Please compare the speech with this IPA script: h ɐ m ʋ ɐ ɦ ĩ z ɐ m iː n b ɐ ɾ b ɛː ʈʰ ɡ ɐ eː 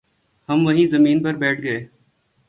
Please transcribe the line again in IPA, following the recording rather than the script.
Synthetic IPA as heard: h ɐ m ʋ ɐ ɦ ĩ z ɐ m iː n p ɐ ɾ b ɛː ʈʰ ɡ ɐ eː